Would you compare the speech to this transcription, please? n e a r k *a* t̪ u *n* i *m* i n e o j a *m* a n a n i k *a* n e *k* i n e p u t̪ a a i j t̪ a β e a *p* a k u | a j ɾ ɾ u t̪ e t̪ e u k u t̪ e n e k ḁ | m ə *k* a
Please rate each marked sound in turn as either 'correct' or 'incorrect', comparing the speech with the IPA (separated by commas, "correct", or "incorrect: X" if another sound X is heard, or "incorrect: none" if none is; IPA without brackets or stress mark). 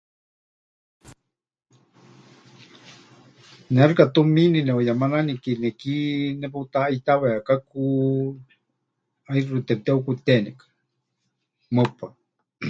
correct, incorrect: m, incorrect: n, correct, incorrect: i, correct, incorrect: k, incorrect: p